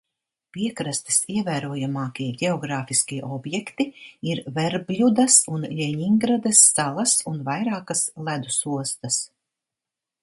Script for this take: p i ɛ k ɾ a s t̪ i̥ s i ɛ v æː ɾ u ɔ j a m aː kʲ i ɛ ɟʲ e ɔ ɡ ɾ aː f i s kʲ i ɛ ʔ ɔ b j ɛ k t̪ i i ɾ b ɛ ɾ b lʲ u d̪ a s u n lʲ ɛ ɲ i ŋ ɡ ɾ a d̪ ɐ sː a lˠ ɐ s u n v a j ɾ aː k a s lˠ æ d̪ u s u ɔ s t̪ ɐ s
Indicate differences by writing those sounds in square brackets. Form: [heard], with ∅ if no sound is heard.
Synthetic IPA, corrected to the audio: p i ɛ k ɾ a s t̪ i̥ s i ɛ v æː ɾ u ɔ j a m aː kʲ i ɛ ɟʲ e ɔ ɡ ɾ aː f i s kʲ i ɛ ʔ ɔ b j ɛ k t̪ i i ɾ [v] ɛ ɾ b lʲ u d̪ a s u n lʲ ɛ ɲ i ŋ ɡ ɾ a d̪ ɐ sː a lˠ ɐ s u n v a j ɾ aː k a s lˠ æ d̪ u s u ɔ s t̪ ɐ s

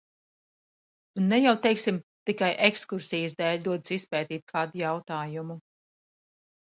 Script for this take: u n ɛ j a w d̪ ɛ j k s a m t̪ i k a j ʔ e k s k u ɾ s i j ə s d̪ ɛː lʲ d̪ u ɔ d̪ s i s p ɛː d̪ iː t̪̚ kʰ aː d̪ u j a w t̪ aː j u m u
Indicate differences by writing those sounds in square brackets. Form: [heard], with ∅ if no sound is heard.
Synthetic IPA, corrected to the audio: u [nː] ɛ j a w [t̪] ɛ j k s [i] m t̪ i k a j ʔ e k s k u ɾ s i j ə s d̪ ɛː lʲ d̪ u ɔ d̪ s i s p ɛː [t̪] iː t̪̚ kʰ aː d̪ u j a w t̪ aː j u m u

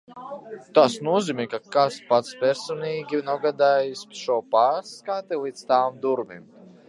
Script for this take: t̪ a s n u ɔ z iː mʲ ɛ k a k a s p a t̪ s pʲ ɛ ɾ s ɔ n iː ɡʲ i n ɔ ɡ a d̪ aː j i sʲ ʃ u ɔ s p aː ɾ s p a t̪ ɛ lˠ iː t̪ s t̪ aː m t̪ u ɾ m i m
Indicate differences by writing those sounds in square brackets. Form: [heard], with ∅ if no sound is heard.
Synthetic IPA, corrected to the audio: t̪ a s n u ɔ z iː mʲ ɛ k a k a s p a t̪ s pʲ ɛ ɾ s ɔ n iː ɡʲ i n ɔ ɡ a d̪ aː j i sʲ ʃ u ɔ [∅] p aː ɾ s [k] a t̪ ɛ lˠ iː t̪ s t̪ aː m [d̪] u ɾ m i m

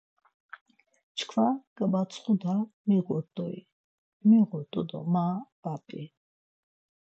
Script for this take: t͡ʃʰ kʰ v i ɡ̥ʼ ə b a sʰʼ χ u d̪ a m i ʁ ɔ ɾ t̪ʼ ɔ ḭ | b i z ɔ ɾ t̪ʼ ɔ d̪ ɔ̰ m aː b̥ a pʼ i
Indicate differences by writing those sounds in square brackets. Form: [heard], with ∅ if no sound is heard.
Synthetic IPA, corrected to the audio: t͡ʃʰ kʰ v [a] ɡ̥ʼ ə b a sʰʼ χ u d̪ a m i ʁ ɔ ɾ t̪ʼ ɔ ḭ | [m] i [ʁ] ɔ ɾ t̪ʼ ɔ d̪ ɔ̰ m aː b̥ a pʼ i

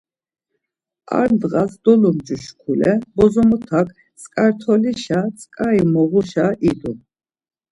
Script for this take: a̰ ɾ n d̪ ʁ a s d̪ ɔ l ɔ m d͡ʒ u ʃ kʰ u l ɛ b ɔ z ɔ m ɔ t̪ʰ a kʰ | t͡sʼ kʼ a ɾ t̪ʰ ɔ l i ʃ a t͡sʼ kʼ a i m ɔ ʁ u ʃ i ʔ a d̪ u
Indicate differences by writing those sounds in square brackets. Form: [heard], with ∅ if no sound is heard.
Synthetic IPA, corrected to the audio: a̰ ɾ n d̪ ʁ a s d̪ ɔ l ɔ m d͡ʒ u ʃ kʰ u l ɛ b ɔ z ɔ m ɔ t̪ʰ a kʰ | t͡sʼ kʼ a ɾ t̪ʰ ɔ l i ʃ a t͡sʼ kʼ a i m ɔ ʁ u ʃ [a] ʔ [i] d̪ u

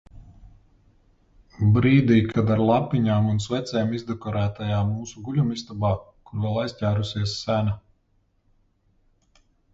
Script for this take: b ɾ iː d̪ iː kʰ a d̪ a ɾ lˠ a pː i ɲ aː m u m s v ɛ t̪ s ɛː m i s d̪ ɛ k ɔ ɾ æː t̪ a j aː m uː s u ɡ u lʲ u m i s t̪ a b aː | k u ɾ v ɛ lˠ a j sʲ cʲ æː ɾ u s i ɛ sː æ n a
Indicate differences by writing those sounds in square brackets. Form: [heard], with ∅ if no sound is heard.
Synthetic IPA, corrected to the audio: b ɾ iː d̪ iː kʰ a d̪ a ɾ lˠ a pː i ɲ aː m u [n] s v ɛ t̪ s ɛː m i [z] d̪ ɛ k ɔ ɾ æː t̪ a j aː m uː s u ɡ u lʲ u m i s t̪ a b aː | k u ɾ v ɛ lˠ a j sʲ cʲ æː ɾ u s i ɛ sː æ n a

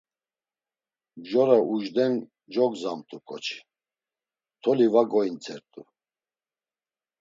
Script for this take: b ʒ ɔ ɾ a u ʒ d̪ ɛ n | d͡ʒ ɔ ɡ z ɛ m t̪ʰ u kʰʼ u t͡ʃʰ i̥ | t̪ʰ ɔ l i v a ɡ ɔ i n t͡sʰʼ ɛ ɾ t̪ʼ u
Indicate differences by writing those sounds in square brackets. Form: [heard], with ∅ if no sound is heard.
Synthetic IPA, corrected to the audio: b ʒ ɔ ɾ a u ʒ d̪ ɛ n | d͡ʒ ɔ ɡ z [a] m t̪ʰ u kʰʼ [ɔ] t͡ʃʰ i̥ | t̪ʰ ɔ l i v a ɡ ɔ i n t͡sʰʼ ɛ ɾ t̪ʼ u

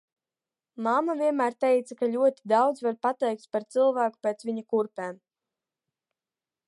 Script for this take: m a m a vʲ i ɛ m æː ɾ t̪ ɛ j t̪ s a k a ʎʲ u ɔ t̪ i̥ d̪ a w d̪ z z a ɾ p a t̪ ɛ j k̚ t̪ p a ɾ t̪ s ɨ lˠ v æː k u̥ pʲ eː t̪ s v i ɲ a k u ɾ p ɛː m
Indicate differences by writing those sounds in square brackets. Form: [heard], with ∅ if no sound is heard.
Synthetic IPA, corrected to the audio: m a m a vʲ i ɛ m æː ɾ t̪ ɛ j t̪ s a k a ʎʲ u ɔ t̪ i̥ d̪ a w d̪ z [v] a ɾ p a t̪ ɛ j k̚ t̪ p a ɾ t̪ s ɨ lˠ v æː k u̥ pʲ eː t̪ s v i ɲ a k u ɾ p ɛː m

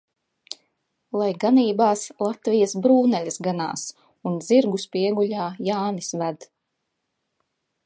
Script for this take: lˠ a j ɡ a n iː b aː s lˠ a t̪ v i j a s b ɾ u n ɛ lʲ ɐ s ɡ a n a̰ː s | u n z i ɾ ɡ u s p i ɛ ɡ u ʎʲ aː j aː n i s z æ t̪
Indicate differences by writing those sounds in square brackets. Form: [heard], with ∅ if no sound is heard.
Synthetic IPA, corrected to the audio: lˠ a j ɡ a n iː b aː s lˠ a t̪ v i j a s b ɾ [uː] n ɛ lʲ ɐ s ɡ a n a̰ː s | u n z i ɾ ɡ u s p i ɛ ɡ u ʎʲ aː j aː n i s [v] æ [d̪]

